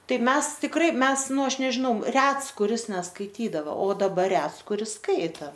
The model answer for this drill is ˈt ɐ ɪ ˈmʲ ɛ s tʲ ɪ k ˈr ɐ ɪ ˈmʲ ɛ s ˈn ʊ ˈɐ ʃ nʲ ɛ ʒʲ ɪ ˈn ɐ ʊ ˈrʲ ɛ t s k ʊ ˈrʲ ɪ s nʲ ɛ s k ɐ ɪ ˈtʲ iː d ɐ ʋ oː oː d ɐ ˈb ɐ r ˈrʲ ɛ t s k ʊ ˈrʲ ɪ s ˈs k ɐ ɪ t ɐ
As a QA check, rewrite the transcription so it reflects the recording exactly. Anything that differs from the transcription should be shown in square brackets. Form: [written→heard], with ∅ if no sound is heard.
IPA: ˈt ɐ ɪ ˈmʲ ɛ s tʲ ɪ k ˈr ɐ ɪ ˈmʲ ɛ s ˈn ʊ ˈɐ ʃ nʲ ɛ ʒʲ ɪ ˈn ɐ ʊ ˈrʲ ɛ t s k ʊ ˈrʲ ɪ s nʲ ɛ s k ɐ ɪ ˈtʲ iː d ɐ ʋ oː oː d ɐ ˈb ɐ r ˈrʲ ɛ t s k ʊ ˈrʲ ɪ s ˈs k ɐ ɪ t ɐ